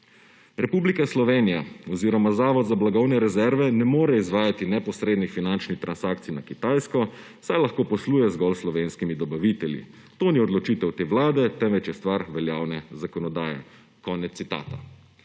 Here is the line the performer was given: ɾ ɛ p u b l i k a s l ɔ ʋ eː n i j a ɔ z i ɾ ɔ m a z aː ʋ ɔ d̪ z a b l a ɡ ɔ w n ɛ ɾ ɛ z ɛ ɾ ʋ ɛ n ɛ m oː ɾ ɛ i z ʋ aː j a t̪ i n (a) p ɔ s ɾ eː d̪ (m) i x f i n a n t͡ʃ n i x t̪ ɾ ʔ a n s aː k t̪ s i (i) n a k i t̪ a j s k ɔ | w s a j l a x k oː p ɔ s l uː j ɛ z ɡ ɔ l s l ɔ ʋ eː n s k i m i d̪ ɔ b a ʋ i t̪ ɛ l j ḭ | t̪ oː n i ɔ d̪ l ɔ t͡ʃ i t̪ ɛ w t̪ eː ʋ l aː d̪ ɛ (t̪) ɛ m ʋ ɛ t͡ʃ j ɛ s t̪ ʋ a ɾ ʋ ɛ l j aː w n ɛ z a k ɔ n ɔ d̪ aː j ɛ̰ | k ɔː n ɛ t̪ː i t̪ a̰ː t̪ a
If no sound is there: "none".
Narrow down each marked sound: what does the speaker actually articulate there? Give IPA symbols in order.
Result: ɛ, n, j, t̪

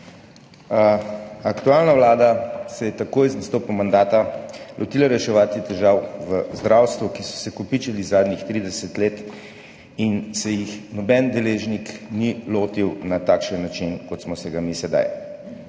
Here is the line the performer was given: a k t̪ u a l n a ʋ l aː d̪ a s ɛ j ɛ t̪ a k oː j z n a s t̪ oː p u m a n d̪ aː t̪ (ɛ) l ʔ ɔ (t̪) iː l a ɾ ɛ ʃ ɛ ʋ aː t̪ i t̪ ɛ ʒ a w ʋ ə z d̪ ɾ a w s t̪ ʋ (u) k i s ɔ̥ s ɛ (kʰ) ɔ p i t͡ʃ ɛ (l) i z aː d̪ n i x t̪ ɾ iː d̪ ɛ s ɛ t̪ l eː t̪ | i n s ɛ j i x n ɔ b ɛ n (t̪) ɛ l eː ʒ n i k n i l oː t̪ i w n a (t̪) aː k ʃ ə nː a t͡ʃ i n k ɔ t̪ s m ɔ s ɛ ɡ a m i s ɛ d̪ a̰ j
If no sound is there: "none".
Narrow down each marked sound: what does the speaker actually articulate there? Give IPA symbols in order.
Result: a, t̪, u, k, l, d̪, t̪

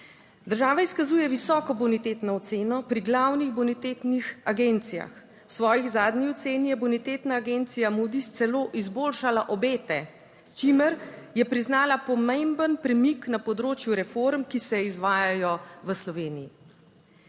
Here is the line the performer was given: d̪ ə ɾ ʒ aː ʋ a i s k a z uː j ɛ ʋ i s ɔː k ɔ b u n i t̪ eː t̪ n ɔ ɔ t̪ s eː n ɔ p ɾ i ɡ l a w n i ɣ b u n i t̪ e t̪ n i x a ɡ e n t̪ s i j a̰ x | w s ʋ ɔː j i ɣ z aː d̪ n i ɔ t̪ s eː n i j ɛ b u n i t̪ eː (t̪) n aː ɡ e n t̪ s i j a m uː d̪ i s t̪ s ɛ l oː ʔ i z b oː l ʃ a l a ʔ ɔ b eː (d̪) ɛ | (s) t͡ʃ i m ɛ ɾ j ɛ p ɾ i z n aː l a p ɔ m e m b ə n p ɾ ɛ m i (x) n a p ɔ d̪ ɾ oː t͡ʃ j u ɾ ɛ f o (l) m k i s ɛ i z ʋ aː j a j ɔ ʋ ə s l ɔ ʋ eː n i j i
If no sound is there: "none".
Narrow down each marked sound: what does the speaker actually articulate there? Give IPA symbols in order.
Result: t̪, t̪, s, k, ɾ

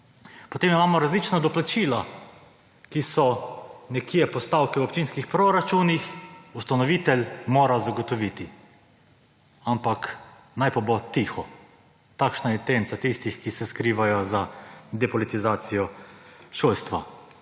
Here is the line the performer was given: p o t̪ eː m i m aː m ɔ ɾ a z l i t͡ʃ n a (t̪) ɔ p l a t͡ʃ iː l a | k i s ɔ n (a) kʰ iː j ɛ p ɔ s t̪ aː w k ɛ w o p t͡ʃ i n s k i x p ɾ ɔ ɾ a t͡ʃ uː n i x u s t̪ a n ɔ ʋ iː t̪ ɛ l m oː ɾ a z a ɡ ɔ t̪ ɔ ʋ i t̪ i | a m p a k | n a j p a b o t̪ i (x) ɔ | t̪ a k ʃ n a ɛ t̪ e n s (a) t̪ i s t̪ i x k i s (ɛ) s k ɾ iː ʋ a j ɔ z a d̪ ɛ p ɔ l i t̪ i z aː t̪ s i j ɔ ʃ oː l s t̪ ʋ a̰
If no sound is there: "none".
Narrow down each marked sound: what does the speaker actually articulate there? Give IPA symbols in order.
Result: d̪, ɛ, x, a, ɛ

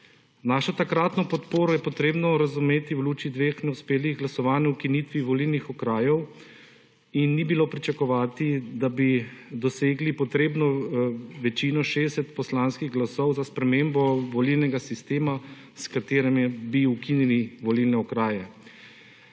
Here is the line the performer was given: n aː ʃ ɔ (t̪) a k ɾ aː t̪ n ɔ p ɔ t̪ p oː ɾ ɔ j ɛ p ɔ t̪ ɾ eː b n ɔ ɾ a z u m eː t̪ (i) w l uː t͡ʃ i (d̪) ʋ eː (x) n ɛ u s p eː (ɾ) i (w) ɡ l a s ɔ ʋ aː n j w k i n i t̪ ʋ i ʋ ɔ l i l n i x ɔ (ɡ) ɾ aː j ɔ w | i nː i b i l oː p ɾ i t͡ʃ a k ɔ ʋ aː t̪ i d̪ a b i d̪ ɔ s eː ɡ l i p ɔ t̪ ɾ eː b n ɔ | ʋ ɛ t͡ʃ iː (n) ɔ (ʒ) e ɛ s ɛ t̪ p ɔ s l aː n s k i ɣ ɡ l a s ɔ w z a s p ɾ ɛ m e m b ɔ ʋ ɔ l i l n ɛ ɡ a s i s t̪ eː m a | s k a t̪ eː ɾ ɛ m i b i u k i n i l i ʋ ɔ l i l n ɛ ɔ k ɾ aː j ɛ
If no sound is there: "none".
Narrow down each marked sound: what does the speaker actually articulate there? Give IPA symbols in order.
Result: t̪, i, d̪, x, l, ɣ, k, n, ʃ

